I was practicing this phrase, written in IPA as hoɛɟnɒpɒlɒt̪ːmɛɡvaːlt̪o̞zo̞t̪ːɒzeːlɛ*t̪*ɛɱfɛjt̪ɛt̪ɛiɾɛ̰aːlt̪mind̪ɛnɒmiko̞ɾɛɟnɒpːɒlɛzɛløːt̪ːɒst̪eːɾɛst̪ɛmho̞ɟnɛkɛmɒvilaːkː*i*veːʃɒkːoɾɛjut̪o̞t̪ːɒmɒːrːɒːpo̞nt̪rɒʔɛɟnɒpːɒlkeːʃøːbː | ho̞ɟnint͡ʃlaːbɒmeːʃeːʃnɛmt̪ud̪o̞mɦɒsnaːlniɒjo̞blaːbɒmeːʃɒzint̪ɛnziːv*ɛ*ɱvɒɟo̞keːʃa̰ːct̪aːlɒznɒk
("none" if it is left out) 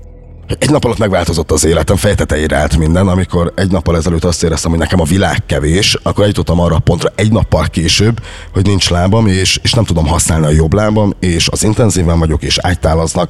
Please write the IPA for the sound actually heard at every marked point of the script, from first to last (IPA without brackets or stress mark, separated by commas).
t̪, ɛ, ɛ